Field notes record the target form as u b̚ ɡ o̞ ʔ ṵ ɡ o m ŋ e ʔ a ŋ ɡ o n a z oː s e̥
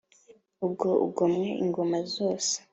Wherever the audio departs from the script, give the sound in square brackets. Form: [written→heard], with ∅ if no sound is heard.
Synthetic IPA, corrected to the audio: u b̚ ɡ o̞ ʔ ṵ ɡ o m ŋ e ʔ [a→i] ŋ ɡ o [n→m] a z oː s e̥